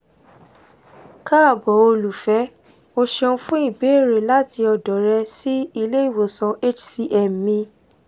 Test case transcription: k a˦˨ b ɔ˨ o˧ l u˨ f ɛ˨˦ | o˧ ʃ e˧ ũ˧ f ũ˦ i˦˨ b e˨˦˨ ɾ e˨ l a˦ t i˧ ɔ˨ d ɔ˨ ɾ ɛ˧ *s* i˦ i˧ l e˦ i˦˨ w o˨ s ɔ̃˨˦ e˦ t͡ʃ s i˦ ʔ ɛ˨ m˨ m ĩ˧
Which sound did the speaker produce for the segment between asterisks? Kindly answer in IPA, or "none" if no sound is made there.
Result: s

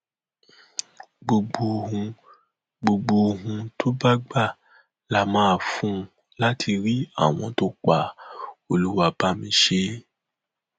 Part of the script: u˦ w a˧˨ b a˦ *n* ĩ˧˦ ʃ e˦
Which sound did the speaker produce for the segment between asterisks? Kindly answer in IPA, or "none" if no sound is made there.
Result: m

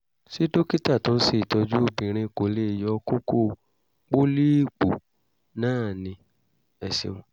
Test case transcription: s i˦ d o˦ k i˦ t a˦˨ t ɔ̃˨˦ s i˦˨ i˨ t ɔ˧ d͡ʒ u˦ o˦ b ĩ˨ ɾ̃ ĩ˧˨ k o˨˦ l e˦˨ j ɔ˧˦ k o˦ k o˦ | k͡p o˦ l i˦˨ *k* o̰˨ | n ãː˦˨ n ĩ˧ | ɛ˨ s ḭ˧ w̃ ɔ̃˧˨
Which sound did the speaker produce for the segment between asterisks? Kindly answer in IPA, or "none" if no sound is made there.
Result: k͡p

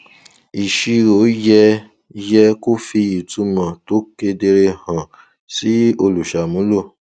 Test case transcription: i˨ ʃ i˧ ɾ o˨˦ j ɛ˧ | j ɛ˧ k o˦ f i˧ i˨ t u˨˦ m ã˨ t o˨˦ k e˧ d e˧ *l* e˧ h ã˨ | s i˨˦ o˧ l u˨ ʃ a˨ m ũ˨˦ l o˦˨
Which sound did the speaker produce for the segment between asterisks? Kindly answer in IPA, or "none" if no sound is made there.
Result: ɾ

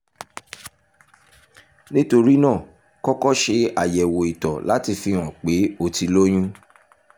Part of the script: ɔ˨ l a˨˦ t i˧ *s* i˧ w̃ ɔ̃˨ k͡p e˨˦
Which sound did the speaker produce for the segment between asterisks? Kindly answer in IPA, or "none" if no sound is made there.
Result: f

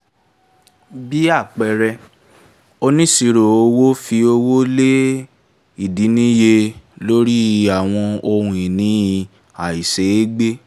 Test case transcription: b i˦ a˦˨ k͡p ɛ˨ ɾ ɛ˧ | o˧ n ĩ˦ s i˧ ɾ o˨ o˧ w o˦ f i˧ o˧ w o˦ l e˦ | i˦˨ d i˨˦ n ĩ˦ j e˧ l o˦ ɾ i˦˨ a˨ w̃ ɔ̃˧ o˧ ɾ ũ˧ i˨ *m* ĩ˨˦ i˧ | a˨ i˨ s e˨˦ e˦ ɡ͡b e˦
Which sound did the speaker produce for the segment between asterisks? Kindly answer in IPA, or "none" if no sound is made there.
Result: n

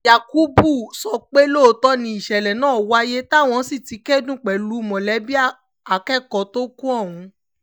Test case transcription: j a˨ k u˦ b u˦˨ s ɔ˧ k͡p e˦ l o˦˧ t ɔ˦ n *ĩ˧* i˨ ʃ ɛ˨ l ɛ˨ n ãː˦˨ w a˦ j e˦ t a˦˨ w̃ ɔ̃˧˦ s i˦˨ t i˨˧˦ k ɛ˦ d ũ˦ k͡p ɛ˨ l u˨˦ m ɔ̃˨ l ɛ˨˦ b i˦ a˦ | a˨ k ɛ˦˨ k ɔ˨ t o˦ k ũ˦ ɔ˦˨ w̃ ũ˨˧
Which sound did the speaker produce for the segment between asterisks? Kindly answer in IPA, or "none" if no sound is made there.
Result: ĩ˧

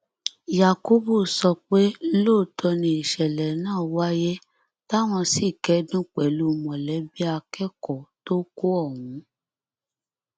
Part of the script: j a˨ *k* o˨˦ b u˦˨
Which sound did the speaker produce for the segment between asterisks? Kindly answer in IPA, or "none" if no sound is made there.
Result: k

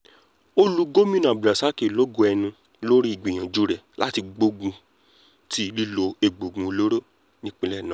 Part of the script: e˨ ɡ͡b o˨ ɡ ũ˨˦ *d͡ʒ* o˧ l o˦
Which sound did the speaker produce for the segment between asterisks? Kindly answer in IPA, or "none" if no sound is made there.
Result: none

